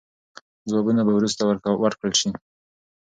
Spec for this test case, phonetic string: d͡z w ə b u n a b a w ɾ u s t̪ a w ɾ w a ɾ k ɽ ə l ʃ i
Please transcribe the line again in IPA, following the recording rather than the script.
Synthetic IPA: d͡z w ɑ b u n a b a w ɾ u s t̪ a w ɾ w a ɾ k ɽ ə l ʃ i